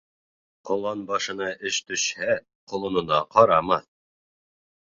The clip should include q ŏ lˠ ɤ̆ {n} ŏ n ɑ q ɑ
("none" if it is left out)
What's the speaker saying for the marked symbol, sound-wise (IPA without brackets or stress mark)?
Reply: n